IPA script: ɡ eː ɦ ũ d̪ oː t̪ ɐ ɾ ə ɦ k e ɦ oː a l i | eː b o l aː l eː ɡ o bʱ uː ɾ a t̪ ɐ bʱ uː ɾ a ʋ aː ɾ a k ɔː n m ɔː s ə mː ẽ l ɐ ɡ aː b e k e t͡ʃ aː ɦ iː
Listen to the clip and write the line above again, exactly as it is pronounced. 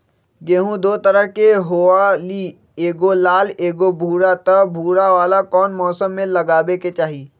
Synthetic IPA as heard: ɡ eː ɦ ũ d̪ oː t̪ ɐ ɾ ə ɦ k e ɦ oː a l i | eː ɡ o l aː l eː ɡ o bʱ uː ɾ a t̪ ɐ bʱ uː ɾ a ʋ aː l a k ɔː n m ɔː s ə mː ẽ l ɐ ɡ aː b e k e t͡ʃ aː ɦ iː